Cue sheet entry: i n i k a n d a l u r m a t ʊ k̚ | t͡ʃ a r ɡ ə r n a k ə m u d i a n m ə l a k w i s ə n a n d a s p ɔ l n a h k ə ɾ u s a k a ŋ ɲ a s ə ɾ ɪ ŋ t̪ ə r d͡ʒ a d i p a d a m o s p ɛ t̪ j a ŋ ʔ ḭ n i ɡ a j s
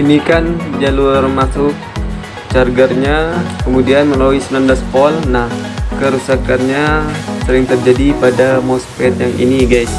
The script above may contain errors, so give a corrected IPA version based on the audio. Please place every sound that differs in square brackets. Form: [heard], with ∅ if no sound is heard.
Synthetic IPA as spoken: i n i k a n [d͡ʒ] a l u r m a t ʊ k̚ | t͡ʃ a r ɡ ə r [ɲ] a k ə m u d i a n m ə l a [∅] w i s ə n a n d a s p ɔ l n a h k ə ɾ u s a k a [n] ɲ a s ə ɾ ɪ ŋ t̪ ə r d͡ʒ a d i p a d a m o s p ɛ t̪ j a ŋ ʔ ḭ n i ɡ a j s